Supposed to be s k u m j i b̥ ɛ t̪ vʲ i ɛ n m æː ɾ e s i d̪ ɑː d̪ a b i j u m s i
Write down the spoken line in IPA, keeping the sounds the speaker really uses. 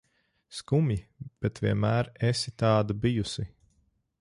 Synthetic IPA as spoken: s k u m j i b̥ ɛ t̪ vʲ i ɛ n m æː ɾ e s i t̪ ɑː d̪ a b i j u s i